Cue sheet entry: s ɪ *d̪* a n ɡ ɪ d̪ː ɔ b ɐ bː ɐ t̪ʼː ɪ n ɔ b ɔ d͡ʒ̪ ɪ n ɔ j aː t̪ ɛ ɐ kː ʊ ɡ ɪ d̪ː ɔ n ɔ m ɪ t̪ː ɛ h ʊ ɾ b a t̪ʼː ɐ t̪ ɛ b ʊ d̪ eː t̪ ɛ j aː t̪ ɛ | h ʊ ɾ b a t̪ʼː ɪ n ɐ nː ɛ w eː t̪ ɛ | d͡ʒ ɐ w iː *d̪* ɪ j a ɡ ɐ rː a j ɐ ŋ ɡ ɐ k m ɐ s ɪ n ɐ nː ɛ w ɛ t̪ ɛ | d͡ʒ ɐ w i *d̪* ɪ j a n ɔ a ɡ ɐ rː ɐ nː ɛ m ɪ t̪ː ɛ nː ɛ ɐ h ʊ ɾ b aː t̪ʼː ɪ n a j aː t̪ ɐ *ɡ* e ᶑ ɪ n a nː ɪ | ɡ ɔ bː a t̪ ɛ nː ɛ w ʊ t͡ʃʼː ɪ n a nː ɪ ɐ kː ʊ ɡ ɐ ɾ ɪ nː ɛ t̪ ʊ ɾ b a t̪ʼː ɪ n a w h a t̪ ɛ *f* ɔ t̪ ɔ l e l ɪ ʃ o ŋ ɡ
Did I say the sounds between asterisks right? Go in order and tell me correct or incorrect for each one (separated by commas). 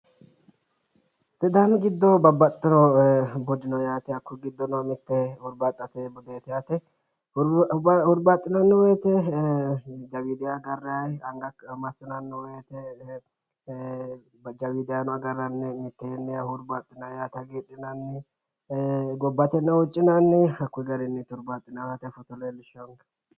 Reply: correct, correct, correct, correct, correct